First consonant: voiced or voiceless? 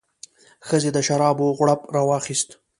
voiceless